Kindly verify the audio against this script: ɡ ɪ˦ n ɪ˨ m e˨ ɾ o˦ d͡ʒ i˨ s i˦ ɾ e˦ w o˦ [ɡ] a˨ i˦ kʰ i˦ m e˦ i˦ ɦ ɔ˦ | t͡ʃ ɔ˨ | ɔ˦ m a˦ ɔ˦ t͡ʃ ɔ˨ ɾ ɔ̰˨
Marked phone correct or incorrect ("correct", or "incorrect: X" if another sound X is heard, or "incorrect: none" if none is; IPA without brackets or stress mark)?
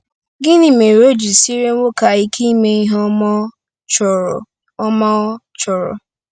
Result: incorrect: k